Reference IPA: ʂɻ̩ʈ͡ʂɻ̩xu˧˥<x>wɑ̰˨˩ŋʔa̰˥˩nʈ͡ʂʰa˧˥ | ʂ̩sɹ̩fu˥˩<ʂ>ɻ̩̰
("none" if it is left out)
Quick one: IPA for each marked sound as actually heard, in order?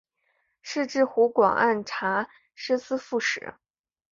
k, ʂ

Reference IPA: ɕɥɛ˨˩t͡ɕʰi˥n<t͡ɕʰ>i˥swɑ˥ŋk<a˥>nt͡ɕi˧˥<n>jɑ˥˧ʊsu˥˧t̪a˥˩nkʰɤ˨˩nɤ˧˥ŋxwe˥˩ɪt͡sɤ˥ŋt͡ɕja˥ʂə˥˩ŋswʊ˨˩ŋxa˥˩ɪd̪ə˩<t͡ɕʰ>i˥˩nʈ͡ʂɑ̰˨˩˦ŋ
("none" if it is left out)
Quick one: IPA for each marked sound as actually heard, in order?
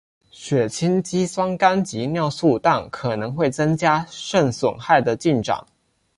t͡ɕ, a˥, n, t͡ɕ

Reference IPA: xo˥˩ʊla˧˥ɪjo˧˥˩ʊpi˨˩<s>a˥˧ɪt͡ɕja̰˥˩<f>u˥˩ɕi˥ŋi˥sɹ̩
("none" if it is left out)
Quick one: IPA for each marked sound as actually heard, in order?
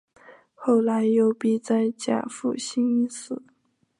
t͡s, f

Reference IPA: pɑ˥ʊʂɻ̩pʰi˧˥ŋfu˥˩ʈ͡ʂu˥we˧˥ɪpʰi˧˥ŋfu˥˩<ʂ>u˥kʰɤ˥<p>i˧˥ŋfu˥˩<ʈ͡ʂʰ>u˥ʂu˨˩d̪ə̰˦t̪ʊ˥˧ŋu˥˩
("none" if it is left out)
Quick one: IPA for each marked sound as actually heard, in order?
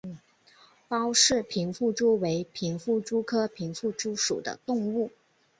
ʈ͡ʂ, pʰ, ʈ͡ʂ

